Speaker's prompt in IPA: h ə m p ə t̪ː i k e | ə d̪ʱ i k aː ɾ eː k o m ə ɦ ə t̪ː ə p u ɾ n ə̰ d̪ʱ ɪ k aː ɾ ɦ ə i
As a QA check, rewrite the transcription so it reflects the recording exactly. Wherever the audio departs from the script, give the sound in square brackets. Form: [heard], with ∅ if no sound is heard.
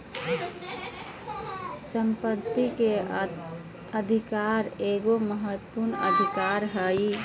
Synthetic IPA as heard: [s] ə m p ə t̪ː i k e | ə d̪ʱ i k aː ɾ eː [ɡ] o m ə ɦ ə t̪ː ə p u ɾ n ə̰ d̪ʱ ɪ k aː ɾ ɦ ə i